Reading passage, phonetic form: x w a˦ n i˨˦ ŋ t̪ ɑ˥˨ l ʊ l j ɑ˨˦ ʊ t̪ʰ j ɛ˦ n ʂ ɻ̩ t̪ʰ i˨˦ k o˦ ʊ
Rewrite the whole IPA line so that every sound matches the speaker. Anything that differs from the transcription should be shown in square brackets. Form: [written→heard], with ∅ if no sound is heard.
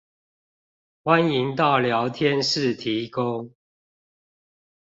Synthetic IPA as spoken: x w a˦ n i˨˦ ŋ t̪ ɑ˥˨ [l→∅] ʊ l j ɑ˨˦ ʊ t̪ʰ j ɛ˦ n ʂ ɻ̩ t̪ʰ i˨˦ k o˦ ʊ